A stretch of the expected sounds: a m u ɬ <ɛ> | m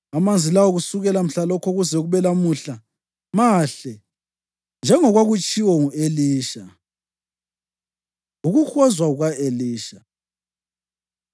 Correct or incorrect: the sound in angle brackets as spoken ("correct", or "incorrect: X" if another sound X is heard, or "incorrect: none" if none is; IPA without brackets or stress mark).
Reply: incorrect: a